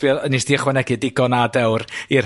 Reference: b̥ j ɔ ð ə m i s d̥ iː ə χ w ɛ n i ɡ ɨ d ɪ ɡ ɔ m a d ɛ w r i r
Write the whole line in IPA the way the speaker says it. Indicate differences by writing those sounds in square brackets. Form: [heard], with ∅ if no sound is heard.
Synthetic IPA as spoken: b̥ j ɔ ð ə [n] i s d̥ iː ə χ w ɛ n [ɛ] ɡ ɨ d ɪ ɡ ɔ [n] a d ɛ w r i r